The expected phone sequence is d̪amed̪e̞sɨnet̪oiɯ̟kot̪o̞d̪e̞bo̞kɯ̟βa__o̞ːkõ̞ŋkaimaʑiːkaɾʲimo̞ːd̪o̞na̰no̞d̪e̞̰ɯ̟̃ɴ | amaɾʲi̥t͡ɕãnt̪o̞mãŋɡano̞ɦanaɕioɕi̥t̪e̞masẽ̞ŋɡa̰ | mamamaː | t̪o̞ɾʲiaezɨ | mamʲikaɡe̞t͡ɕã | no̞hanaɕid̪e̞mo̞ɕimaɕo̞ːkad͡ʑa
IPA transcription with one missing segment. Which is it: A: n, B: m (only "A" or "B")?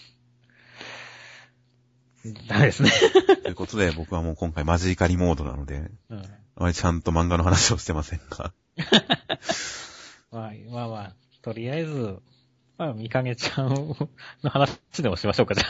B